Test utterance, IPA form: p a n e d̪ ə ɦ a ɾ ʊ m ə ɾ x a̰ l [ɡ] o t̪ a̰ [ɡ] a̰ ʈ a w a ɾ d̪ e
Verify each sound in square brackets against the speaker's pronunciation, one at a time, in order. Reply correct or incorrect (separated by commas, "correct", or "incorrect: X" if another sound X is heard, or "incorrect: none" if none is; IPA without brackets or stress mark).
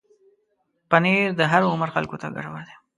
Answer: incorrect: k, correct